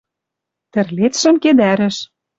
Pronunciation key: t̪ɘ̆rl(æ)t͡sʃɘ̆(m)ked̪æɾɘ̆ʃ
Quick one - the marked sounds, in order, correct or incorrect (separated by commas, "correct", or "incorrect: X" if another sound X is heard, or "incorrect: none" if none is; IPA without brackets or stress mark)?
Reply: incorrect: e, correct